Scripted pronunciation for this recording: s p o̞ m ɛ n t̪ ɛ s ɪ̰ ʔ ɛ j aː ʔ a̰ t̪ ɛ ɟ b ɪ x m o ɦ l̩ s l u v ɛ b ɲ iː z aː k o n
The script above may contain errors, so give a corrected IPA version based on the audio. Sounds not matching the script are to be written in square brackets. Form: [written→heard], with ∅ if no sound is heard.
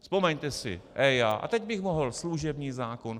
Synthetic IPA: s p o̞ m ɛ [n→ɲ] t̪ ɛ s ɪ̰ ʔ ɛ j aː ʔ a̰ t̪ ɛ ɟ b ɪ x m o ɦ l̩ s l u [v→ʒ] ɛ b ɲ iː z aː k o n